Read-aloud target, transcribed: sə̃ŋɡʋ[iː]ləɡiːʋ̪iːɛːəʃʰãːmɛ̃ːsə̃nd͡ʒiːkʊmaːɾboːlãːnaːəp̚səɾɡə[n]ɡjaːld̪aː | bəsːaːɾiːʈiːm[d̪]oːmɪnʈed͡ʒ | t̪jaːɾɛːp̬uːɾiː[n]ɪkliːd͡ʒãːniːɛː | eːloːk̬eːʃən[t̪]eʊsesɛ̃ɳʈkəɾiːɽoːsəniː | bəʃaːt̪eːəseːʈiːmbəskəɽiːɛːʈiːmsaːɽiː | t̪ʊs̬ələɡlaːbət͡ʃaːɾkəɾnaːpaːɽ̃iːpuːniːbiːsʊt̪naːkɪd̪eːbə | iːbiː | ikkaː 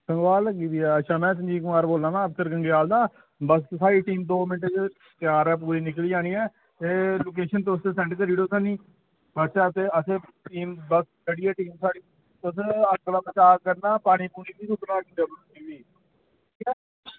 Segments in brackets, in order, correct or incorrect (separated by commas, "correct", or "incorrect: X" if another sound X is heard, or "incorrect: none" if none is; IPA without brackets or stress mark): incorrect: aː, incorrect: ŋ, correct, correct, correct